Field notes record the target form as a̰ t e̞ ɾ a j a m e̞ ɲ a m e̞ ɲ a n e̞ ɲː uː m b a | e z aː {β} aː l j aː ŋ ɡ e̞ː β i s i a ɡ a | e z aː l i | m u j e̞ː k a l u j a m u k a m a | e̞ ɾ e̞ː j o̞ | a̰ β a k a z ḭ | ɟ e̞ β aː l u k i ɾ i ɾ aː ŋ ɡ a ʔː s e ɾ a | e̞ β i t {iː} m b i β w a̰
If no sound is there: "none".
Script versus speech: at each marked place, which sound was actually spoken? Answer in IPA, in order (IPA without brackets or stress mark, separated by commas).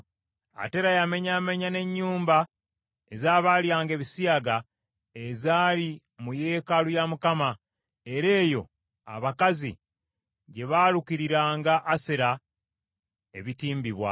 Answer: β, iː